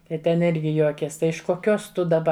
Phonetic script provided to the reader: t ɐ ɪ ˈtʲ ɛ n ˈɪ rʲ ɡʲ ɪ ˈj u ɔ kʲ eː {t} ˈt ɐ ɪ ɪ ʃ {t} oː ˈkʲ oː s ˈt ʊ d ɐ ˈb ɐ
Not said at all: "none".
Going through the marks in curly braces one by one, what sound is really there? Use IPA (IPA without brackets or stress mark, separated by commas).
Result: s, k